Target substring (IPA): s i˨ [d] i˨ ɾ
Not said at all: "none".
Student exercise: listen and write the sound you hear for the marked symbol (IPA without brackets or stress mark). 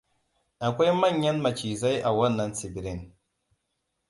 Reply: b